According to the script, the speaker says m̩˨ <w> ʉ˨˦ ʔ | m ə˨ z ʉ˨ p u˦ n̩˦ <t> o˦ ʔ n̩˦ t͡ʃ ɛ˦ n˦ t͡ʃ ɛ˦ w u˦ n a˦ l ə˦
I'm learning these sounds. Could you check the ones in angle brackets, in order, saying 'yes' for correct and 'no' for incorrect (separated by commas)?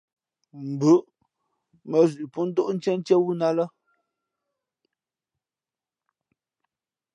no, no